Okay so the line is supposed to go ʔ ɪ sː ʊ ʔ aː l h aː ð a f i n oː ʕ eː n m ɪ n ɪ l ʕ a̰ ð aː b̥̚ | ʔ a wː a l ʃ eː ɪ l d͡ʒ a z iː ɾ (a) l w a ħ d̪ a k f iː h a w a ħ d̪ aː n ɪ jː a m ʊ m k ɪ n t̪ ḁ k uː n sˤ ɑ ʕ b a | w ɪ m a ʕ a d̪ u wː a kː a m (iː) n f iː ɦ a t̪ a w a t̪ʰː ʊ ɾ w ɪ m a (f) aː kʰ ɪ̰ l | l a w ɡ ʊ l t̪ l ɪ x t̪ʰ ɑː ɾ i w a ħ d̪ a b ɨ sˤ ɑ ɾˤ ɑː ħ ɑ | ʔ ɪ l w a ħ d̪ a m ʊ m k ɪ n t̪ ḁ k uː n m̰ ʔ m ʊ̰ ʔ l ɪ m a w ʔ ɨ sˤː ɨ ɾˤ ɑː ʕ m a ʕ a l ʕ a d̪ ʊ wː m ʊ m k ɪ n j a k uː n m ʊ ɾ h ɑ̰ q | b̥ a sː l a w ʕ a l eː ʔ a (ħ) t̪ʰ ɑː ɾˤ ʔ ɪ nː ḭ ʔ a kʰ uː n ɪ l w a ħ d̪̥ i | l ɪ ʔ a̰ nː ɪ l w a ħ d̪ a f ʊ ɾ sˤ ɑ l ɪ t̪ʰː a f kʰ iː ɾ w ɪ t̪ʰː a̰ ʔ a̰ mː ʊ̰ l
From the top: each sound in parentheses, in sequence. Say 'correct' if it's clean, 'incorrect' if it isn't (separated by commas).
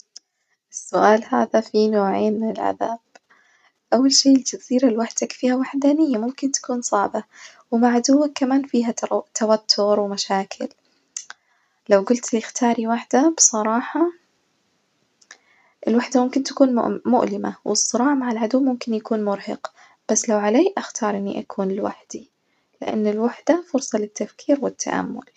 correct, incorrect, incorrect, incorrect